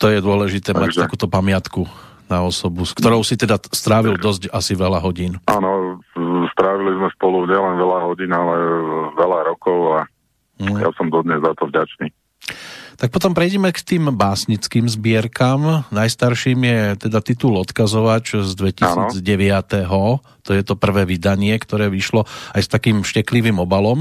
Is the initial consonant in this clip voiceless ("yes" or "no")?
yes